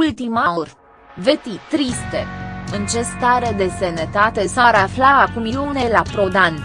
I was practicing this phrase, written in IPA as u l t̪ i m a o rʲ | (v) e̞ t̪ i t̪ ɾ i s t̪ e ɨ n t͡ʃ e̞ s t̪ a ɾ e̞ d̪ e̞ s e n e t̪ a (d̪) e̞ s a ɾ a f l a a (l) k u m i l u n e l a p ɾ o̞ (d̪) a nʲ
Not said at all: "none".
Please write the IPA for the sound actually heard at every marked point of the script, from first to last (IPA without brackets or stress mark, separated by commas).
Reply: v, t̪, none, d̪